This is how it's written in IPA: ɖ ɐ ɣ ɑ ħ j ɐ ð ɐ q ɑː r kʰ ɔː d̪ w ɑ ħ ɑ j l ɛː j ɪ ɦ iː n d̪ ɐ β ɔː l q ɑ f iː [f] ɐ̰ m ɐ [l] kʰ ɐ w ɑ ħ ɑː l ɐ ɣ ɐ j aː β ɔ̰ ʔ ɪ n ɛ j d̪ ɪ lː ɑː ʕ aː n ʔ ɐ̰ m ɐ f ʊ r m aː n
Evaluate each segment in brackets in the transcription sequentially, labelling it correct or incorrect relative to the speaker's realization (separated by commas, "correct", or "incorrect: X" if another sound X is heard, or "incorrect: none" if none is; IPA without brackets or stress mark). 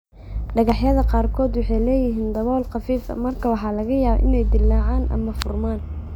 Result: correct, incorrect: r